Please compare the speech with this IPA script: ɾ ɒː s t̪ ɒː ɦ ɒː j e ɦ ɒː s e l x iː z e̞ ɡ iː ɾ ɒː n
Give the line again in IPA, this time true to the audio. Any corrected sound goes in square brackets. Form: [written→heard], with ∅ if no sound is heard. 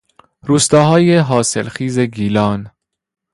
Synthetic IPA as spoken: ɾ [ɒː→uː] s t̪ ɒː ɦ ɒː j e ɦ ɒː s e l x iː z e̞ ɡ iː [ɾ→l] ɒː n